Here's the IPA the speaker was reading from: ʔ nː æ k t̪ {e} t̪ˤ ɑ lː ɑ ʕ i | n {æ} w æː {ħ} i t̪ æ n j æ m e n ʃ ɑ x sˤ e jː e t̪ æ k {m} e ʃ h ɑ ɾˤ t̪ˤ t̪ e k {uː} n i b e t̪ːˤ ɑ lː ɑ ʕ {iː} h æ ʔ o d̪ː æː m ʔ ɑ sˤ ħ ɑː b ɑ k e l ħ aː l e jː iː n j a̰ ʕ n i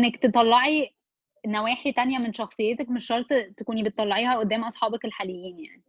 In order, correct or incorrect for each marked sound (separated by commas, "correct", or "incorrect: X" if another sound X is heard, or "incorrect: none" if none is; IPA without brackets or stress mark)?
correct, correct, correct, correct, correct, correct